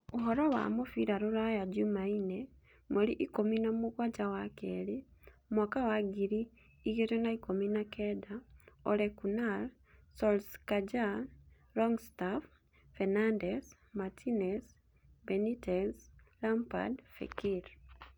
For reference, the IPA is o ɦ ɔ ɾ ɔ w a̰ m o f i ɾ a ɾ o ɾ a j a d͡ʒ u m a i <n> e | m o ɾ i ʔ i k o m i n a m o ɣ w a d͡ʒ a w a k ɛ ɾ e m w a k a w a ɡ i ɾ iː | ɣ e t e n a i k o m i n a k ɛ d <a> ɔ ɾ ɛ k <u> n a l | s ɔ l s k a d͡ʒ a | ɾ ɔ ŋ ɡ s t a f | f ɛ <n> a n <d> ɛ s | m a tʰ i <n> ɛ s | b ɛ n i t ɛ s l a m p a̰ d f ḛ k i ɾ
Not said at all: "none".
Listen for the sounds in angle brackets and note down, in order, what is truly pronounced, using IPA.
n, a, u, n, d, n

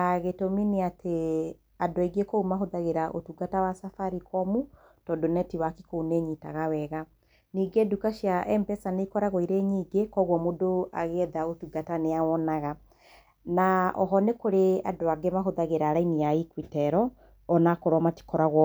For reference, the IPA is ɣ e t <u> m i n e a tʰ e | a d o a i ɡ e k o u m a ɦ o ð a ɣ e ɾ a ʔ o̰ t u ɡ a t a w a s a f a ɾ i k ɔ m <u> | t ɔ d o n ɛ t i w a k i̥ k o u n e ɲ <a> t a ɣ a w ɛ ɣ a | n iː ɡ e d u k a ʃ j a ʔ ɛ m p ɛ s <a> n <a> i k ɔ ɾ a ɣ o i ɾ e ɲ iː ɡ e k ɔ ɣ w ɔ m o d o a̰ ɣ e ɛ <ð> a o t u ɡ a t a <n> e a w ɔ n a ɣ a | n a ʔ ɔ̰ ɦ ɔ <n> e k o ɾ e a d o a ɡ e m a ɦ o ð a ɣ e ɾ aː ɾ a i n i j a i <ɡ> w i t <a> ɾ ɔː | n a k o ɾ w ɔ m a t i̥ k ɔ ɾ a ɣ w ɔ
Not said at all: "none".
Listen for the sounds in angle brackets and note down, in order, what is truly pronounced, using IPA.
o, u, i, a, e, ð, n, n, k, ɛ

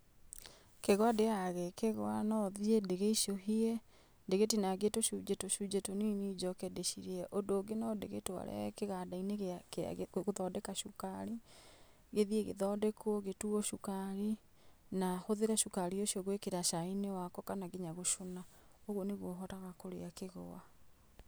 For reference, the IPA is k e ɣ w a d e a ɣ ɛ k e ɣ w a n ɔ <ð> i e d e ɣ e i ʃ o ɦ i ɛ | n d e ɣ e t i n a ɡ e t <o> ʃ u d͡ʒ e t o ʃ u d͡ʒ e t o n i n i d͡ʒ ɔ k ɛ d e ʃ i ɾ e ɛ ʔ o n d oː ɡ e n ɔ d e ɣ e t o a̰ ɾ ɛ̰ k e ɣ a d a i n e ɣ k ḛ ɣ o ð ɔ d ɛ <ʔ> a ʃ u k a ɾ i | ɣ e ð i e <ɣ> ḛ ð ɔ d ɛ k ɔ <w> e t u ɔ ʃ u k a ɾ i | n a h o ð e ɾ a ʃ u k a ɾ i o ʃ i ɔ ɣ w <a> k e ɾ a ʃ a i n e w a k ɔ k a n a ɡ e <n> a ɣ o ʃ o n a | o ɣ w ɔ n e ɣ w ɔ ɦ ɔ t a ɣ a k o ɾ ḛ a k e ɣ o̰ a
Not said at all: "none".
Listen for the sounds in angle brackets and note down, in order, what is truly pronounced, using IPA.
ð, o, k, ɣ, ɣ, e, ɲ

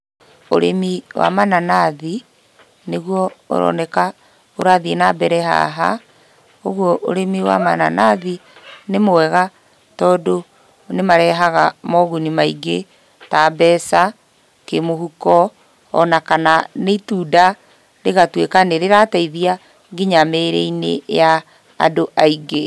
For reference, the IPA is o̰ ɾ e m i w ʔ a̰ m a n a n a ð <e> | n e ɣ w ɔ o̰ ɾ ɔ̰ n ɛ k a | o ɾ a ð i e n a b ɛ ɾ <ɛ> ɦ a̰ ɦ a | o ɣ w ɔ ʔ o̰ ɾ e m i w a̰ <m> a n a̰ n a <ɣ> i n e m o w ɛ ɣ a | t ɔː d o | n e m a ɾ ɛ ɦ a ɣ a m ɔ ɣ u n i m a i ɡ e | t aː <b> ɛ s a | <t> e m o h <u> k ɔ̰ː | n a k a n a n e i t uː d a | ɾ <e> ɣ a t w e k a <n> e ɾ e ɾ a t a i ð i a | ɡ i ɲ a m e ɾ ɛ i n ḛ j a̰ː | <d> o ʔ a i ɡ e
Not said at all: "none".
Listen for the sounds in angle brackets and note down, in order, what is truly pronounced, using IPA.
i, ɛ, m, ð, b, k, u, e, n, d

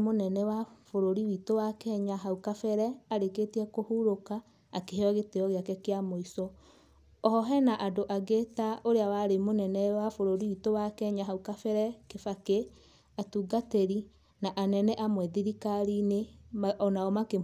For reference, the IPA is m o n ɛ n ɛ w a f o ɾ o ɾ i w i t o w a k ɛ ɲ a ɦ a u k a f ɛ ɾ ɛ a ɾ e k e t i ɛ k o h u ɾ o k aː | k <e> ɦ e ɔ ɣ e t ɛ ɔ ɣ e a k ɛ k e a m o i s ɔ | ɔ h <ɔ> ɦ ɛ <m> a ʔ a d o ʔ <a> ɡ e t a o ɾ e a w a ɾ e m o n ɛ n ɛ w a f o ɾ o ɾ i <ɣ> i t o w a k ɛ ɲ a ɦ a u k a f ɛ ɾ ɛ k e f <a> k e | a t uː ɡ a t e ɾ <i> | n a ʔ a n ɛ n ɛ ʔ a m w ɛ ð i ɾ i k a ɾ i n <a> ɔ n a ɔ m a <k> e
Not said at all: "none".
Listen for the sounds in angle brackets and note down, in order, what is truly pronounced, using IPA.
e, ɔ, n, a, w, a, i, e, k

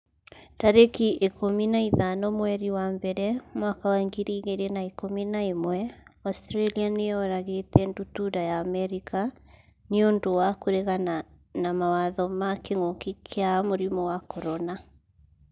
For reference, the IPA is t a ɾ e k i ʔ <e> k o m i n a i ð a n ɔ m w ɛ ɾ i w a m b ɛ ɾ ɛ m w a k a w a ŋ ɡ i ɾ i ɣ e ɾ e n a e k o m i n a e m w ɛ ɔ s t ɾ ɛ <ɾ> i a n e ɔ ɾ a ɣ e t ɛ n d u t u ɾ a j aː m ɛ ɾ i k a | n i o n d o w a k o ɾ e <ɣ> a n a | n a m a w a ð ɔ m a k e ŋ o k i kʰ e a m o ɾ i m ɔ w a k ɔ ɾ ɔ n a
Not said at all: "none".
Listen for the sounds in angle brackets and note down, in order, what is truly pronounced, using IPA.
e, l, ɣ

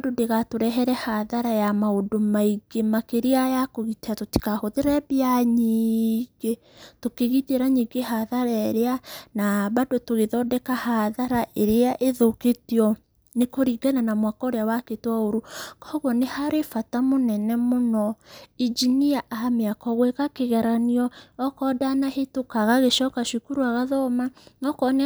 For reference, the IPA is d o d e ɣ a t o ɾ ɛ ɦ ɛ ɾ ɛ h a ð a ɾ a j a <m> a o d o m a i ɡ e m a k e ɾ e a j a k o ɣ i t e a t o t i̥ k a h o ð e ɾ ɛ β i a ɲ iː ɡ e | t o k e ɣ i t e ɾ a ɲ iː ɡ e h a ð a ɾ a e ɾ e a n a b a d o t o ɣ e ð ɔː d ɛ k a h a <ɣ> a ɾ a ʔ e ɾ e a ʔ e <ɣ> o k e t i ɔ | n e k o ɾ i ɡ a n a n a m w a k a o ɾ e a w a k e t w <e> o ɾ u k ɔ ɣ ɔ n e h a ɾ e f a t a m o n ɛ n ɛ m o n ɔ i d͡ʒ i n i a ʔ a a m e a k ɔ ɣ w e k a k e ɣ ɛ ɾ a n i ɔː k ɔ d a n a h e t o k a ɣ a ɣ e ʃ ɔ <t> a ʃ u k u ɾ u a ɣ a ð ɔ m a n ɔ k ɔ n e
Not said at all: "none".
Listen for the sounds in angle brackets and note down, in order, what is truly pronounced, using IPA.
m, ð, ð, a, k

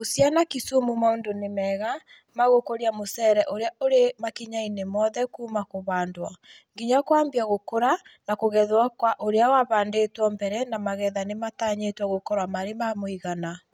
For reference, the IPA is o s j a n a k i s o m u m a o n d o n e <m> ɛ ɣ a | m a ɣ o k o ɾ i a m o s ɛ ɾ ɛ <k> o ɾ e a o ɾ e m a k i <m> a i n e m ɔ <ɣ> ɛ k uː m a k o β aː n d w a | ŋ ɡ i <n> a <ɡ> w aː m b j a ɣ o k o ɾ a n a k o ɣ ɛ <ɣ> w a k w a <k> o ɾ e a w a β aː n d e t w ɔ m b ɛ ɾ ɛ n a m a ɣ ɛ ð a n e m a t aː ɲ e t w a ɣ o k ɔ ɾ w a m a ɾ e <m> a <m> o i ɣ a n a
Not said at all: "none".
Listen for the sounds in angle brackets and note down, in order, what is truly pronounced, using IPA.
m, ʔ, ɲ, ð, ɲ, k, ð, ʔ, m, m

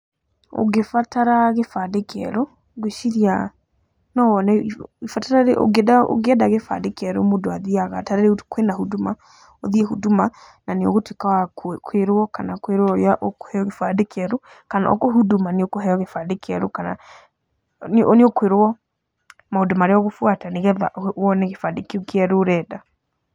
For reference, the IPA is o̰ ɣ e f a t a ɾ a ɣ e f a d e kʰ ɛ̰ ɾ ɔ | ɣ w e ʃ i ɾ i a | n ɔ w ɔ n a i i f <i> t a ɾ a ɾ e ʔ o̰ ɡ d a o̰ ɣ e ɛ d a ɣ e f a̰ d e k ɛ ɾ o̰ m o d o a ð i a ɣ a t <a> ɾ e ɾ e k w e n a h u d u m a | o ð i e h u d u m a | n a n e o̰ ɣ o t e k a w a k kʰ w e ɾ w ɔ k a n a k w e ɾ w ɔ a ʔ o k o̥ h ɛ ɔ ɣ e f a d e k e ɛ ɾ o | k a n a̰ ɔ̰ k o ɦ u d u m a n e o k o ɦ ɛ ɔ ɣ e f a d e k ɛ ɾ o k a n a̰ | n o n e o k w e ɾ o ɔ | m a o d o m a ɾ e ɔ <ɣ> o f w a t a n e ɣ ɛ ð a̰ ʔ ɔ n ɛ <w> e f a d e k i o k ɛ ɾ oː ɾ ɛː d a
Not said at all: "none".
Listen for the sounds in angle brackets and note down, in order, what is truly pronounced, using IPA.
a, a, ɣ, ɣ

